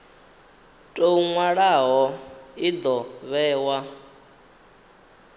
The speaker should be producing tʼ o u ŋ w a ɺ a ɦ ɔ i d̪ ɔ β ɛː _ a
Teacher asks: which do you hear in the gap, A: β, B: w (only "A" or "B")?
B